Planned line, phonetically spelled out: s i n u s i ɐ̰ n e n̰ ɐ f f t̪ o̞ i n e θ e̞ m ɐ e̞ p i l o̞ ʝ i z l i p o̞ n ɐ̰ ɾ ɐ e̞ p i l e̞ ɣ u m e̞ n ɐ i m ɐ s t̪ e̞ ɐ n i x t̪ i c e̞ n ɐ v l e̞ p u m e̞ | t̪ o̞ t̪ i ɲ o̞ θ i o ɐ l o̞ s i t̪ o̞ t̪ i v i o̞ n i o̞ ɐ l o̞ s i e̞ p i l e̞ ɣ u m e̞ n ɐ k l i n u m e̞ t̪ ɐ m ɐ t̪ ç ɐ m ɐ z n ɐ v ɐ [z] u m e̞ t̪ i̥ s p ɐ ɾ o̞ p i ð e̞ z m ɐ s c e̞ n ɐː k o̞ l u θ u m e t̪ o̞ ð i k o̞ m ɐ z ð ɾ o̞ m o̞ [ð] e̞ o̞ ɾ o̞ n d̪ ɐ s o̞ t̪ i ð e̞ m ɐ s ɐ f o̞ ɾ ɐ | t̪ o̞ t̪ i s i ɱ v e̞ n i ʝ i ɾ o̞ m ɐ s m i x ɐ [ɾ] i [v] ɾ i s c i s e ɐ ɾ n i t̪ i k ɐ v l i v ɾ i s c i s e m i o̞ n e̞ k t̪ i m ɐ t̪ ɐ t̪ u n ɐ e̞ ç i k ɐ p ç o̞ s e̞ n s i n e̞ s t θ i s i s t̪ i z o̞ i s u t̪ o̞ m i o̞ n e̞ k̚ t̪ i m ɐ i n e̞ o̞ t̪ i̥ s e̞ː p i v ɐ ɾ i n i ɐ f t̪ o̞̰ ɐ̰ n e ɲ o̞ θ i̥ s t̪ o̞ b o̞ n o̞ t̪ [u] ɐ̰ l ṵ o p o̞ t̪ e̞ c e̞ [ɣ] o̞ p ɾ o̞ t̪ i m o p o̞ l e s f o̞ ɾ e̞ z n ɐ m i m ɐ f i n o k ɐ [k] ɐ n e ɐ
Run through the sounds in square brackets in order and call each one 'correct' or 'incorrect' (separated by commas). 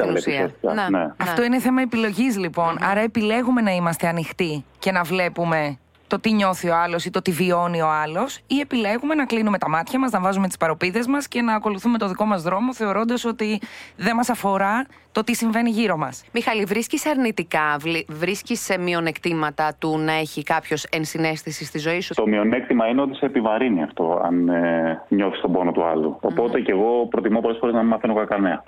correct, incorrect, incorrect, correct, correct, correct, correct